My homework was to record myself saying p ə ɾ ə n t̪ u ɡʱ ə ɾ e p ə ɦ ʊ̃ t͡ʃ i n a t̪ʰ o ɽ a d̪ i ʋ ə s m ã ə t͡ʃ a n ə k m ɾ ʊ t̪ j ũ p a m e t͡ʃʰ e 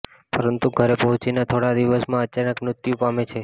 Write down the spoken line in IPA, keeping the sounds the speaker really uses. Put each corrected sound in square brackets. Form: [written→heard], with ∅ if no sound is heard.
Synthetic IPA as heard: p ə ɾ ə n t̪ u ɡʱ ə ɾ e p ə ɦ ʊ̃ t͡ʃ i n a t̪ʰ o ɽ a d̪ i ʋ ə s m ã ə t͡ʃ a n ə k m ɾ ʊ t̪ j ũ p a m e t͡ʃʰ e